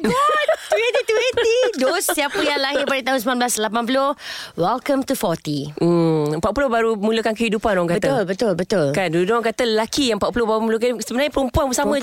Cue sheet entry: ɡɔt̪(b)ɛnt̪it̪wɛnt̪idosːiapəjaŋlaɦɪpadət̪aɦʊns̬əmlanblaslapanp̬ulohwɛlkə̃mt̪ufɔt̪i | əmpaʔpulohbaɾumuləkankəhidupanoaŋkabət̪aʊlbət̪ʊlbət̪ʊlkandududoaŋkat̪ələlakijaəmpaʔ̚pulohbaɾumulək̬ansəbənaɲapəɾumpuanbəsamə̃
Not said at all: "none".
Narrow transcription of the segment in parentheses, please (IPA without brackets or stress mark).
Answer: w